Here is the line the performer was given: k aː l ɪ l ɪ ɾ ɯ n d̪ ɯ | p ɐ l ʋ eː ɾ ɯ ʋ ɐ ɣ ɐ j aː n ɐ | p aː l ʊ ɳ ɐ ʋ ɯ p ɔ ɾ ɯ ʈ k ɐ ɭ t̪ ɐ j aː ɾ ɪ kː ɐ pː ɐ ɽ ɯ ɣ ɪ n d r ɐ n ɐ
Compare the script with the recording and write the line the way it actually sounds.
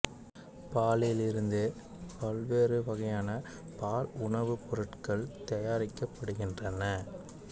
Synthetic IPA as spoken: p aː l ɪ l ɪ ɾ ɯ n d̪ ɯ | p ɐ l ʋ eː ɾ ɯ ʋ ɐ ɣ ɐ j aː n ɐ | p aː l ʊ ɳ ɐ ʋ ɯ p ɔ ɾ ɯ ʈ k ɐ ɭ t̪ ɐ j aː ɾ ɪ kː ɐ pː ɐ ɽ ɯ ɣ ɪ n d r ɐ n ɐ

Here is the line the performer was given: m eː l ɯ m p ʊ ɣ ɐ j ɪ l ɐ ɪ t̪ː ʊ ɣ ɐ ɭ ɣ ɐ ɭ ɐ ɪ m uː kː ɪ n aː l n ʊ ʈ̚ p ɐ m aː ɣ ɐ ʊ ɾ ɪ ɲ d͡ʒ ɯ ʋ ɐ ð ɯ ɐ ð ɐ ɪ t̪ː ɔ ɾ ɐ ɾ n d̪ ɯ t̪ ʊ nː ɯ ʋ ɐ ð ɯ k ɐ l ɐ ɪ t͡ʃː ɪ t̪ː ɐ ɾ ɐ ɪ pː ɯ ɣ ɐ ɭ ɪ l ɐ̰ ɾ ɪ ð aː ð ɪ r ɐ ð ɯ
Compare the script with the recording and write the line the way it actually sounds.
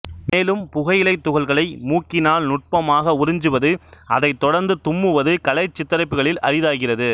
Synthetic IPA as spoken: m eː l ɯ m p ʊ ɣ ɐ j ɪ l ɐ ɪ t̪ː ʊ ɣ ɐ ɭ ɣ ɐ ɭ ɐ ɪ m uː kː ɪ n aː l n ʊ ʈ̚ p ɐ m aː ɣ ɐ ʊ ɾ ɪ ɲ d͡ʒ ɯ ʋ ɐ ð ɯ ɐ ð ɐ ɪ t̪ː ɔ ɽ ɐ ɾ n d̪ ɯ t̪ ʊ mː ɯ ʋ ɐ ð ɯ k ɐ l ɐ ɪ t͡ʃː ɪ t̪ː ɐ ɾ ɐ ɪ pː ɯ ɣ ɐ ɭ ɪ l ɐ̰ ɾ ɪ ð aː ɣ ɪ r ɐ ð ɯ

